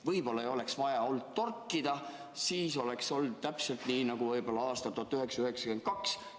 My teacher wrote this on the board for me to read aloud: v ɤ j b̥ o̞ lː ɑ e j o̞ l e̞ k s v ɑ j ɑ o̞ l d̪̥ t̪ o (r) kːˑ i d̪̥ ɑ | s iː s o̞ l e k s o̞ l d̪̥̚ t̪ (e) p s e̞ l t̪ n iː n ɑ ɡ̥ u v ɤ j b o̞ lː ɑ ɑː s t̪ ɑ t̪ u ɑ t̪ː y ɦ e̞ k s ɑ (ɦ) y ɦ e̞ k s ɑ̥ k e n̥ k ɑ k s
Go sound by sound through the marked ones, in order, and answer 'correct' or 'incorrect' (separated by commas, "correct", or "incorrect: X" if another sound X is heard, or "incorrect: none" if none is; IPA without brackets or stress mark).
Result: correct, incorrect: æ, incorrect: none